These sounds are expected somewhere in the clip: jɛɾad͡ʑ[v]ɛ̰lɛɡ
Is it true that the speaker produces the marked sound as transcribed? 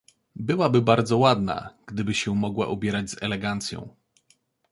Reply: no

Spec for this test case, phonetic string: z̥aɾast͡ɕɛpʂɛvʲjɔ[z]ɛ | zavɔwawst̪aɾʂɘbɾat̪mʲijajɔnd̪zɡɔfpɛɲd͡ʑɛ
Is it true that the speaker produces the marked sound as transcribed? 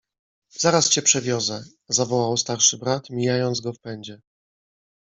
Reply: yes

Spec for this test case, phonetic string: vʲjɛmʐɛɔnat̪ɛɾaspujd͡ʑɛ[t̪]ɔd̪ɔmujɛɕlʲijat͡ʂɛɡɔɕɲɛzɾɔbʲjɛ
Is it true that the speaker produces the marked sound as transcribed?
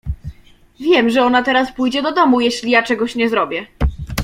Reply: no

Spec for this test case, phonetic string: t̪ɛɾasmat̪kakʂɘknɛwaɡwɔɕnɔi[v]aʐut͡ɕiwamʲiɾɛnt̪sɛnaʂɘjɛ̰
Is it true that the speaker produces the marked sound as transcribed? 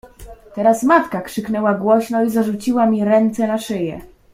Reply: no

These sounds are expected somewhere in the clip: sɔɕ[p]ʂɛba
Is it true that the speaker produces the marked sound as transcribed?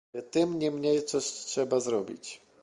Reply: no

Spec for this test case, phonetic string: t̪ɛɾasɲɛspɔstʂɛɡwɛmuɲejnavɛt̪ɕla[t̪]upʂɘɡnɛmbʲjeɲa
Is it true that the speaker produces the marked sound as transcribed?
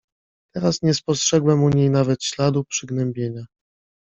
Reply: no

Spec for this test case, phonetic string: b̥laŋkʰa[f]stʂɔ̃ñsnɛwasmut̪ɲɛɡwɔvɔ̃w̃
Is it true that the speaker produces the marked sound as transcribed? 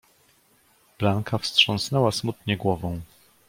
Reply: yes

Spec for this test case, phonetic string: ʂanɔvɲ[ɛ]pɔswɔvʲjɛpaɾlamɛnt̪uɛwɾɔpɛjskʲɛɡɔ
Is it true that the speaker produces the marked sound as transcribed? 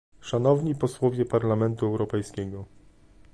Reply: no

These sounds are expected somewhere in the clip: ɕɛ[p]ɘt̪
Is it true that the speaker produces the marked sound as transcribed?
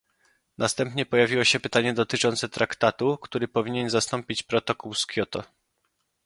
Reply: yes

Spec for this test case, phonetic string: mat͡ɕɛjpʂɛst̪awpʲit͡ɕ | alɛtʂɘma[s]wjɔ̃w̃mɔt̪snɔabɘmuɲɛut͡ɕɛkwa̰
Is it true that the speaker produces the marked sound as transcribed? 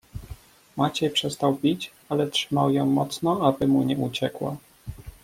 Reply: no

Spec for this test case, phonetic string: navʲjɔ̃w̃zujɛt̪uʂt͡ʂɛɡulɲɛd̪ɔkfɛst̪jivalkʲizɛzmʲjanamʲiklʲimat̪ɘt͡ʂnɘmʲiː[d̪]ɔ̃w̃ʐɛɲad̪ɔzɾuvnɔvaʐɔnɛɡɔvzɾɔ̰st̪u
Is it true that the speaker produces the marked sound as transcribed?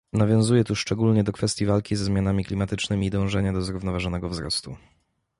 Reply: yes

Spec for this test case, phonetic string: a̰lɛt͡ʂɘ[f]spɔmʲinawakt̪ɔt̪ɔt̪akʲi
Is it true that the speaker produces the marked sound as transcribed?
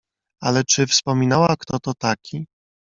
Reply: yes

